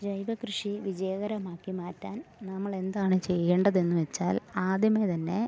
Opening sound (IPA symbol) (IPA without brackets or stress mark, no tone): d͡ʑ